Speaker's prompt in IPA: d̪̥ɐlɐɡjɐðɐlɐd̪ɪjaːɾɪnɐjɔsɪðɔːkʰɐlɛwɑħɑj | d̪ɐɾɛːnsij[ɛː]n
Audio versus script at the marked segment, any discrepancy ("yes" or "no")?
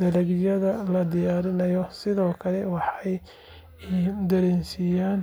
yes